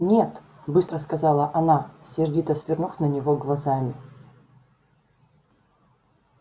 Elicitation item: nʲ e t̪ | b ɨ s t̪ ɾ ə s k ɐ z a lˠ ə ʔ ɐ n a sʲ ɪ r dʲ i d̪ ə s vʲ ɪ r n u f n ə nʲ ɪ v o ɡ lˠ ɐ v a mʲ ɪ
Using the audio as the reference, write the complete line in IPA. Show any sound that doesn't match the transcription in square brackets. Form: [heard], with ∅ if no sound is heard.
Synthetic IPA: nʲ e t̪ | b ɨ s t̪ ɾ ə s k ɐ z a lˠ ə ʔ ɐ n a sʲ ɪ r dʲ i [t̪] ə s vʲ ɪ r n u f n ə nʲ ɪ v o ɡ lˠ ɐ [z] a mʲ ɪ